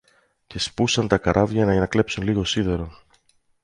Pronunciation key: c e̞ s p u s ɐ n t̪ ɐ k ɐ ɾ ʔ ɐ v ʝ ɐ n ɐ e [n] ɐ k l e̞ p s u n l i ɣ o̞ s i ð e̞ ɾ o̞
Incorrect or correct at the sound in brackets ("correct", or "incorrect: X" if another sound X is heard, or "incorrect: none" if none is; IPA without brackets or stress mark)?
correct